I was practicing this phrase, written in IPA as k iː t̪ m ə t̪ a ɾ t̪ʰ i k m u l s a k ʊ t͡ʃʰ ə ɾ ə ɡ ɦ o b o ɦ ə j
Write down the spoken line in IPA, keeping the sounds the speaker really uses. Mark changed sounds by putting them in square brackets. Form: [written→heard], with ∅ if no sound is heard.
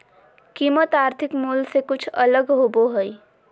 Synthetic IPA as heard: k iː [t̪→∅] m ə t̪ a ɾ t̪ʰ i k m u l s [a→e] k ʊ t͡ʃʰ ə [ɾ→l] ə ɡ ɦ o b o ɦ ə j